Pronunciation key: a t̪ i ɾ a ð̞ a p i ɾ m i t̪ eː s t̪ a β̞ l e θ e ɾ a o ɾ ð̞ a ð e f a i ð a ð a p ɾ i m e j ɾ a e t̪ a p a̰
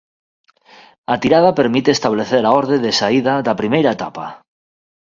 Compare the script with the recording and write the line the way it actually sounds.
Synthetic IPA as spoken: a t̪ i ɾ a ð̞ a p e ɾ m i t̪ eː s t̪ a β̞ l e θ e ɾ a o ɾ ð̞ e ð e s a i ð a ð a p ɾ i m e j ɾ a e t̪ a p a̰